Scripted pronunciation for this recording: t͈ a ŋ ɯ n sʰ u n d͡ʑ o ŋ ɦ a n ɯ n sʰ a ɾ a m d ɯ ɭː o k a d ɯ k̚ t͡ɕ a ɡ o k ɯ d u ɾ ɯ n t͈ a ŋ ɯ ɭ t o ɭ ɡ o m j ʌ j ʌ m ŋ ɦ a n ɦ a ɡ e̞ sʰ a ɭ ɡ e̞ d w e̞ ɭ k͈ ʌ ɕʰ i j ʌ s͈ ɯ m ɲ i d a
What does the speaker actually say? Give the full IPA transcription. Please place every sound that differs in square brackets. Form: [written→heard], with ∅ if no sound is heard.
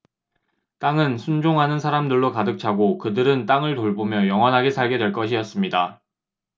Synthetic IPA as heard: t͈ a ŋ ɯ n sʰ u n d͡ʑ o ŋ ɦ a n ɯ n sʰ a ɾ a m d ɯ ɭː o k a d ɯ k̚ [t͡ɕ→t͡ɕʰ] a ɡ o k ɯ d [u→ɯ] ɾ ɯ n t͈ a ŋ ɯ ɭ t o ɭ [ɡ→b] o m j ʌ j ʌ [m→∅] ŋ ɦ [a→ʌ] n ɦ a ɡ e̞ sʰ a ɭ ɡ e̞ d w e̞ ɭ k͈ ʌ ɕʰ i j ʌ s͈ ɯ m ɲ i d a